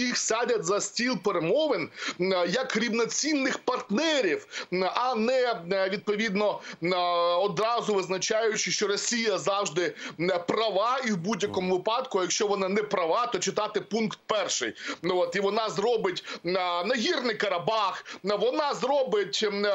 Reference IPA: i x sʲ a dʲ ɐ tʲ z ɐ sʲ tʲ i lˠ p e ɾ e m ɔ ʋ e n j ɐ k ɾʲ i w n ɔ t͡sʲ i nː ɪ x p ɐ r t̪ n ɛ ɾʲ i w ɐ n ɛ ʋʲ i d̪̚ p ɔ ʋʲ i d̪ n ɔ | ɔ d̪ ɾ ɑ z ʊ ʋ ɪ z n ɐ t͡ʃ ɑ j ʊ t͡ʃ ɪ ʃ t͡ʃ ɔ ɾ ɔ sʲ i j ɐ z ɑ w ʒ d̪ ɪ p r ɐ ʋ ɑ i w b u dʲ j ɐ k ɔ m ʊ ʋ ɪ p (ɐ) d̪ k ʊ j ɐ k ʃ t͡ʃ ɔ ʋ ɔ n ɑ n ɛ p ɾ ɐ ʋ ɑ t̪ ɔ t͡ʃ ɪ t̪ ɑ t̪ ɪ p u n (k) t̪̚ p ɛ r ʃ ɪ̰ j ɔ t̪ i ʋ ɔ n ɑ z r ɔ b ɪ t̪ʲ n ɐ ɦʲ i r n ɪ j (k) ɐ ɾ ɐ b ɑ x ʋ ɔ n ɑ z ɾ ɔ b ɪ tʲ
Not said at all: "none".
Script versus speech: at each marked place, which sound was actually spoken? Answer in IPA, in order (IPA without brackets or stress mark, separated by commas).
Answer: ɑ, k, k